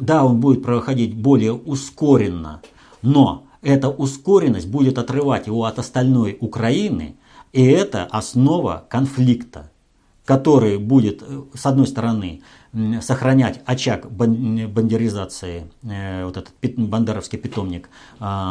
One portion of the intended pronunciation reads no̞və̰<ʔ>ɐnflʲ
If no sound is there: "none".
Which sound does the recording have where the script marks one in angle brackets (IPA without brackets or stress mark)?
k